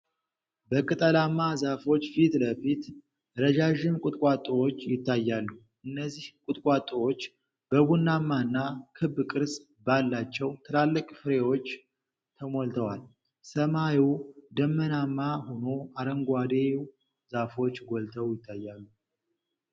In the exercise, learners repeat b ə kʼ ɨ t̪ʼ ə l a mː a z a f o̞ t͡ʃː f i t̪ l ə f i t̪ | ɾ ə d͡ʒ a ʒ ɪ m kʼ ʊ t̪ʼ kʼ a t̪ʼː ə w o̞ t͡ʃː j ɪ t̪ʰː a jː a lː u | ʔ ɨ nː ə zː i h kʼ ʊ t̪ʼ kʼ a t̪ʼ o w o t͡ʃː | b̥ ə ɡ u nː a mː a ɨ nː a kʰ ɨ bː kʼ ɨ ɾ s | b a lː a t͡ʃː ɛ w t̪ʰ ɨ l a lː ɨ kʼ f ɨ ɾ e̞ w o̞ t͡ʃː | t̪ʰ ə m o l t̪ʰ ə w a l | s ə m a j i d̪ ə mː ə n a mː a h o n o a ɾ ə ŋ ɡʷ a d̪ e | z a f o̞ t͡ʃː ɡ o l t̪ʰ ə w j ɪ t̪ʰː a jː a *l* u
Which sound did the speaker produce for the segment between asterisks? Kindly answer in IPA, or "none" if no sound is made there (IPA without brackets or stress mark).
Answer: lː